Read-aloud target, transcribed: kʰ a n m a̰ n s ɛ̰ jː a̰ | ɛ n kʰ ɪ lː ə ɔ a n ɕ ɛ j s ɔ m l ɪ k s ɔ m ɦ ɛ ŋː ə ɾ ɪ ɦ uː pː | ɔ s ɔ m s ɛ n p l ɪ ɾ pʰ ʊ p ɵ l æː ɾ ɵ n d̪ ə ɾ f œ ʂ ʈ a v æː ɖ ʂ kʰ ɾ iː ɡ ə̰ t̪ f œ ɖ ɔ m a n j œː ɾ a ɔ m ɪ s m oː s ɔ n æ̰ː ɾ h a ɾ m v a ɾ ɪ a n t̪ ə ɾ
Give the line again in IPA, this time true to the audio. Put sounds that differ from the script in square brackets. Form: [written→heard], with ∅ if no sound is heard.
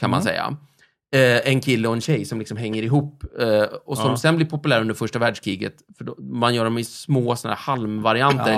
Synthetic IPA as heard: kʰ a n m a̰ n s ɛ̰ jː a̰ | ɛ n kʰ ɪ lː ə ɔ [a→ɛ] n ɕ ɛ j s ɔ m l ɪ k s ɔ m ɦ ɛ ŋː ə ɾ ɪ ɦ uː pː | ɔ s ɔ m s ɛ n [p→b] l ɪ ɾ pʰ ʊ p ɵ l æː ɾ ɵ n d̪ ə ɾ f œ ʂ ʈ a v æː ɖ ʂ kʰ ɾ iː ɡ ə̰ t̪ f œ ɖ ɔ m a n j œː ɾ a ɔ m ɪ s m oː s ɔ n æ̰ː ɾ h a [ɾ→l] m v a ɾ ɪ a n t̪ ə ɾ